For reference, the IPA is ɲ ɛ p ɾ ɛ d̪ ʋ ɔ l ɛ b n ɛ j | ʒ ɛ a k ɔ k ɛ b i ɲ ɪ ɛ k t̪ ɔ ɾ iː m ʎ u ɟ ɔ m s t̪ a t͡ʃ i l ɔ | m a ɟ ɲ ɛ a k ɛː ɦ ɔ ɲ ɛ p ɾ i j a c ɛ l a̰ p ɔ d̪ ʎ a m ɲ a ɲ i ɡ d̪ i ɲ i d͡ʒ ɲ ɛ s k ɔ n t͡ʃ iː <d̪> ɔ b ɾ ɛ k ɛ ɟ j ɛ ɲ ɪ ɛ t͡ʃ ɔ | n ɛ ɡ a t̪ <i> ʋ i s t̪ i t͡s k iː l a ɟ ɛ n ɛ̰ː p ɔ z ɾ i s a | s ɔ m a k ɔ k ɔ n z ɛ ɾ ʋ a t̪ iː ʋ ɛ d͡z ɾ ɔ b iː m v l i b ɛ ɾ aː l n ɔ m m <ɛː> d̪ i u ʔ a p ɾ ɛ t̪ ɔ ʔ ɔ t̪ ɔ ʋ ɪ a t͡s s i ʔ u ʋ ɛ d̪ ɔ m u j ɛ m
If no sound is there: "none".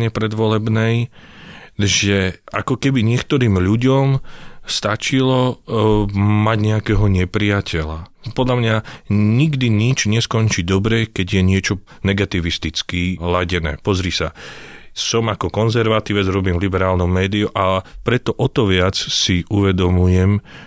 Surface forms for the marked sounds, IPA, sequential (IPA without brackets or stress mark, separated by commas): d̪, i, ɛː